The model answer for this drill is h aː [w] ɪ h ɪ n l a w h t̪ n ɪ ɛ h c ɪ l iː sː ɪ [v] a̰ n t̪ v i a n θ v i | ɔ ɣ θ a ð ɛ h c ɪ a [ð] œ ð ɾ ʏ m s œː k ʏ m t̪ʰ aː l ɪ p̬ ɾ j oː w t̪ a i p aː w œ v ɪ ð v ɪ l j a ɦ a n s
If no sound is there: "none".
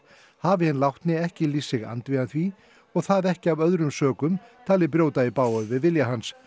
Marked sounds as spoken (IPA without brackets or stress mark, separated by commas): v, ɣ, v